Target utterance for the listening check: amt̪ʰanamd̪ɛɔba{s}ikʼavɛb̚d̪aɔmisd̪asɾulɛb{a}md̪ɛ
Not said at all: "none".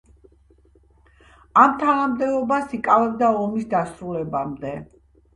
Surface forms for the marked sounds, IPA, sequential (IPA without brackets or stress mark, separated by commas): s, a